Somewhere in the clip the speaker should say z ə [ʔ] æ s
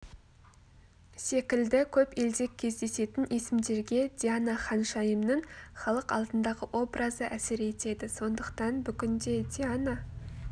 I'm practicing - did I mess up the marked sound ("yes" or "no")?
no